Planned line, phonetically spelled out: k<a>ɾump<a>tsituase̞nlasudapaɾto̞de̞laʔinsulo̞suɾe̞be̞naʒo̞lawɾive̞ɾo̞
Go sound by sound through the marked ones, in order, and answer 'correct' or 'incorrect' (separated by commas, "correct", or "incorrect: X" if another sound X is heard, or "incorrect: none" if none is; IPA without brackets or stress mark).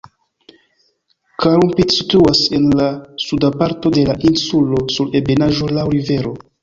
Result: correct, incorrect: i